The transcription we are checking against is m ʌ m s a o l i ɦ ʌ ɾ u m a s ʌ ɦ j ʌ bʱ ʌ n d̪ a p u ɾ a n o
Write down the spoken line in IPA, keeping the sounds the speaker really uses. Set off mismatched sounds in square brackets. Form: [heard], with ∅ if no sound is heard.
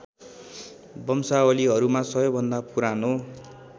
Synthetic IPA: [b] ʌ m s a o l i ɦ ʌ ɾ u m a s ʌ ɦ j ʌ bʱ ʌ n d̪ a p u ɾ a n o

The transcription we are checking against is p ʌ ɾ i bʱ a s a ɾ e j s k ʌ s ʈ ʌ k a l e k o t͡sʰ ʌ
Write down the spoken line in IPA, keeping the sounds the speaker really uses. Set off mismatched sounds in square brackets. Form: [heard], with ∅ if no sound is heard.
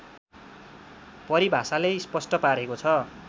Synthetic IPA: p ʌ ɾ i bʱ a s a [l] e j s [p] ʌ s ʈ ʌ [p] a [ɾ] e k o t͡sʰ ʌ

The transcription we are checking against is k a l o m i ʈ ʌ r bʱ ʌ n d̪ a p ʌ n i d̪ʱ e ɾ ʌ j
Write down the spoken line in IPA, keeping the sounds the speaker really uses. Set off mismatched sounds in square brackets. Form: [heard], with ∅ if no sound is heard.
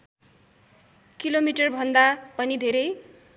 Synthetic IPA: k [i] l o m i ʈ ʌ r bʱ ʌ n d̪ a p ʌ n i d̪ʱ e ɾ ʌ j

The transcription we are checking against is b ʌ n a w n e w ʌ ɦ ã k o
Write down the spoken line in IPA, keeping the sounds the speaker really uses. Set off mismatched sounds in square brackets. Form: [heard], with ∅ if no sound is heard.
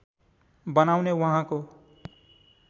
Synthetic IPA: b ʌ n a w n e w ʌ ɦ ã k o

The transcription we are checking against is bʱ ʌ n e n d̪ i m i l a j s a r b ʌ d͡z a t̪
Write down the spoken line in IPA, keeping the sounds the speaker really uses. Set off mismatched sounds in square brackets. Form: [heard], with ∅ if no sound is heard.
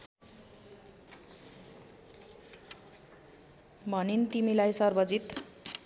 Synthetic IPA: bʱ ʌ n [i] n [t̪] i m i l a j s [ʌ] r b ʌ d͡z [i] t̪

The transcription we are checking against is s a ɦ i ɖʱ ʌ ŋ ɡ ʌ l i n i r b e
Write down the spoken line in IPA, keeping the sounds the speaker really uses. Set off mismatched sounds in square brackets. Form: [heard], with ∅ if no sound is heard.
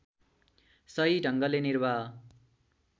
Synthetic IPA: s [ʌ] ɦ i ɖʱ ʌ ŋ ɡ ʌ l [e] n i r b [a]

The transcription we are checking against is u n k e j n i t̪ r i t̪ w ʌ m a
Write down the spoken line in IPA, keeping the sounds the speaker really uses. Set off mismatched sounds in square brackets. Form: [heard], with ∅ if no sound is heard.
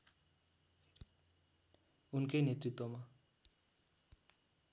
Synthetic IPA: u n k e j n [e] t̪ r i t̪ w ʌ m a

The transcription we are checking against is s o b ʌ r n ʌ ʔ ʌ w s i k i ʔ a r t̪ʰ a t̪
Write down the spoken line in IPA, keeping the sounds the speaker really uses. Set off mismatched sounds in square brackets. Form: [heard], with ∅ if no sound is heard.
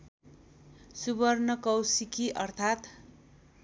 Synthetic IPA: s [u] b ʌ r n ʌ [k] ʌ w s i k i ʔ [ʌ] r t̪ʰ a t̪

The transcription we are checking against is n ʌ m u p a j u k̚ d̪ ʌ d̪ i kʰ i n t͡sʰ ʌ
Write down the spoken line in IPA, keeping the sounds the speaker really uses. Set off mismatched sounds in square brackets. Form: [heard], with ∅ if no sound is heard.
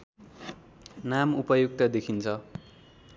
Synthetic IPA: n [a] m u p [ʌ] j u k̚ [t̪] ʌ d̪ [e] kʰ i n t͡sʰ ʌ

